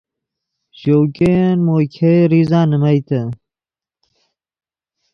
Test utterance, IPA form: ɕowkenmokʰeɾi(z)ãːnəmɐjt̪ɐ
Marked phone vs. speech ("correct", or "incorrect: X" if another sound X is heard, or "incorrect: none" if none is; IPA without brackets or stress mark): correct